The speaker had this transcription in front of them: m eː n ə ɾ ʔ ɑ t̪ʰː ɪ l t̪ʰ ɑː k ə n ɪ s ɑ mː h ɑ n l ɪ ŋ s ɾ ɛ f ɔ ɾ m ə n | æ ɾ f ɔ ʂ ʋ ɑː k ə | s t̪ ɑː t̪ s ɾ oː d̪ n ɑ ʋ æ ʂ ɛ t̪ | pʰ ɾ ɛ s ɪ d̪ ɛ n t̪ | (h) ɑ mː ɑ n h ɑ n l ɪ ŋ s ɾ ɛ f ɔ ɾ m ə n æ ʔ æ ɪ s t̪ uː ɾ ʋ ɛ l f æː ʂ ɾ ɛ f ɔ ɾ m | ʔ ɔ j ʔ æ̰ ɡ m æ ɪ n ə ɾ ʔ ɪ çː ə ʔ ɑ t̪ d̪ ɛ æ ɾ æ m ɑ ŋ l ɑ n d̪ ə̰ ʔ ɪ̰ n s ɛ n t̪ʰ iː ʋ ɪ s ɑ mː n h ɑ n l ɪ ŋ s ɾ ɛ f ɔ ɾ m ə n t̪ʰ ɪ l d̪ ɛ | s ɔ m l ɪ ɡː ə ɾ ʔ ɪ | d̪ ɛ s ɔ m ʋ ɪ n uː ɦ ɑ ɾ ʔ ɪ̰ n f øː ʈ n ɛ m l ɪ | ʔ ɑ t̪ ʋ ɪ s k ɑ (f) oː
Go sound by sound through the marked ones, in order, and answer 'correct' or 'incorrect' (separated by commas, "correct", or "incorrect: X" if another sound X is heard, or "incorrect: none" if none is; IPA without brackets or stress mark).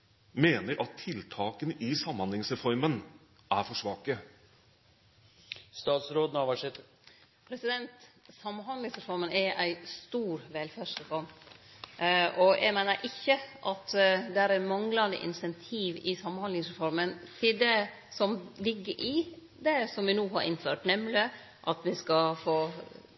incorrect: s, correct